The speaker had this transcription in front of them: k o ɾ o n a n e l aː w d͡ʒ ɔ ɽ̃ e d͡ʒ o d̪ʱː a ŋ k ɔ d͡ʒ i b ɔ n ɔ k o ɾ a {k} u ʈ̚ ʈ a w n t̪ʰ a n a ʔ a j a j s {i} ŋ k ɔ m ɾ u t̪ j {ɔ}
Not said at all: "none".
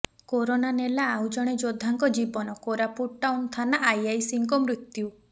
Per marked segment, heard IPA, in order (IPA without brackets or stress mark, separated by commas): p, i, u